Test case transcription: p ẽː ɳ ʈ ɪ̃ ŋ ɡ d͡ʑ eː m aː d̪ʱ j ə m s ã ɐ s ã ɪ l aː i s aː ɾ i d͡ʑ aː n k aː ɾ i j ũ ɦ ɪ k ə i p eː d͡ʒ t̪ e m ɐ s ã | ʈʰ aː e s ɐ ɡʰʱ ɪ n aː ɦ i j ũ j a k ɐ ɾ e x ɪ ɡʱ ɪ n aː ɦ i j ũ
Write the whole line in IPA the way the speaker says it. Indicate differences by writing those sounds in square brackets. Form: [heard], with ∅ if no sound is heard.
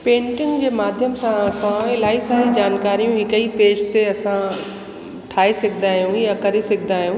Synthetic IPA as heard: p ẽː ɳ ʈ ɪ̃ ŋ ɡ d͡ʑ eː m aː d̪ʱ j ə m s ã ɐ s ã ɪ l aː i s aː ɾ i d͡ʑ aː n k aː ɾ i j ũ ɦ ɪ k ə i p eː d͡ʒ t̪ e [∅] ɐ s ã | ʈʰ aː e s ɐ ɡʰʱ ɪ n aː ɦ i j ũ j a k ɐ ɾ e [s] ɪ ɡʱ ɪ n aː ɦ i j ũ